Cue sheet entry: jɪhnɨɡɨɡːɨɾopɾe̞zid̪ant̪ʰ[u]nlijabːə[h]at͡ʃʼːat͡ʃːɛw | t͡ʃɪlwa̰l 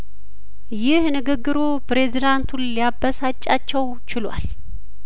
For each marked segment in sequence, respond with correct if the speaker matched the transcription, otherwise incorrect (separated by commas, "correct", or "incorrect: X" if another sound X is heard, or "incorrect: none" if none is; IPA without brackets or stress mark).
correct, incorrect: s